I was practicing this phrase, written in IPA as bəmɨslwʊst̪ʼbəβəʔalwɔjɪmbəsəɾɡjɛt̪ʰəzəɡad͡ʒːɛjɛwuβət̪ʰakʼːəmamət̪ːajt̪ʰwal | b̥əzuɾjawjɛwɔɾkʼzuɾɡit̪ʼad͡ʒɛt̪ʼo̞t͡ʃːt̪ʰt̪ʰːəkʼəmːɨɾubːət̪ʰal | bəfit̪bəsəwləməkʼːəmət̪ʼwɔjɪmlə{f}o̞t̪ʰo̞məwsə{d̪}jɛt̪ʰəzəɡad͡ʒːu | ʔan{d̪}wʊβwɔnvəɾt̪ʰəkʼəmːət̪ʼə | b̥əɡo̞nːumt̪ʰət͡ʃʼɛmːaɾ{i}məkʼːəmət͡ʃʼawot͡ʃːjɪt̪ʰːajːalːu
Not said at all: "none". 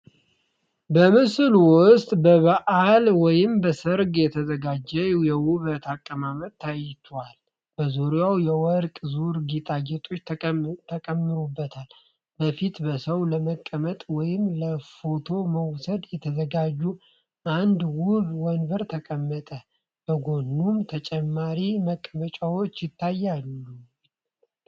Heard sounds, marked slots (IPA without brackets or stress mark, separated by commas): f, d̪, d̪, i